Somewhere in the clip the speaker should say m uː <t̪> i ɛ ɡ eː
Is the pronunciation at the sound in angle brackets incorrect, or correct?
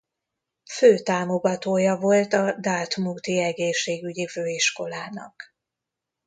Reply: correct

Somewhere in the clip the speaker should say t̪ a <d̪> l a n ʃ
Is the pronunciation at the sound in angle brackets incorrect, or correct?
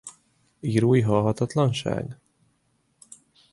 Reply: incorrect: t̪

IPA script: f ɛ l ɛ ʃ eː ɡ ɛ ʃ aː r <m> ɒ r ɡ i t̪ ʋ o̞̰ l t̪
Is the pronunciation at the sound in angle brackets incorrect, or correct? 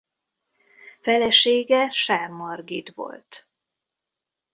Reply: correct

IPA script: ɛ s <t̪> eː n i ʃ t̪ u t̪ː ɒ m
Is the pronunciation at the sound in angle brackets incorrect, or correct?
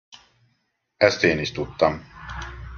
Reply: correct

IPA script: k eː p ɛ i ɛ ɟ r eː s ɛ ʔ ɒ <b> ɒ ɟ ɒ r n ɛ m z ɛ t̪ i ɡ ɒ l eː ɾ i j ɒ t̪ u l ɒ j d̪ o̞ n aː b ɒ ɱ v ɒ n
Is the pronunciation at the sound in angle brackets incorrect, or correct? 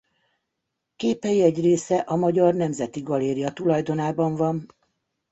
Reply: incorrect: m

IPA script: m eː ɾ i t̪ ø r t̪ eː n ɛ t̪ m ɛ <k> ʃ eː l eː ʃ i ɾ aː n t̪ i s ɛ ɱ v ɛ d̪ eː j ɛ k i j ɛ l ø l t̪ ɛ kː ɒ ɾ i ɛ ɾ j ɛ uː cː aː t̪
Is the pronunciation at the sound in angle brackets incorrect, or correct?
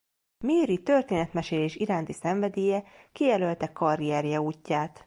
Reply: incorrect: none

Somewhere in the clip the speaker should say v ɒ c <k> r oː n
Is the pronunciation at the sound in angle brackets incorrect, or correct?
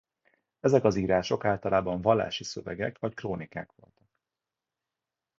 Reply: correct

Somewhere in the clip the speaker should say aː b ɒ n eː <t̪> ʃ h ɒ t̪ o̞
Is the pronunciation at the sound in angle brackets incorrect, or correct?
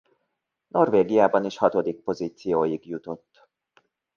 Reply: incorrect: none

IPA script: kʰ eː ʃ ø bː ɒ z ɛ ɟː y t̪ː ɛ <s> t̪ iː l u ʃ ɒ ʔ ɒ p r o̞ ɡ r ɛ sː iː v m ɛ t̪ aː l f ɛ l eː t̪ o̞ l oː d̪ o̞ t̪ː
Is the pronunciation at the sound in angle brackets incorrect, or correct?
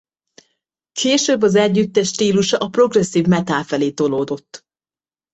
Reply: incorrect: ʃ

